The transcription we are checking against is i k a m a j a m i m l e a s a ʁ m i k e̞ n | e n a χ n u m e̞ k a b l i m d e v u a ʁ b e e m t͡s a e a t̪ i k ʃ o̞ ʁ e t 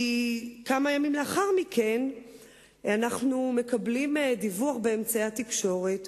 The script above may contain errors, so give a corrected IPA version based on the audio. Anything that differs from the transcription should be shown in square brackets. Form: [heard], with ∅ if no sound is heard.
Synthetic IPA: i k a m a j a m i m l e a [χ] a ʁ m i k e̞ n | [a] n a χ n u m e̞ k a b l i m d [i] v u a [χ] b e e m t͡s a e a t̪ i k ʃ o̞ ʁ e t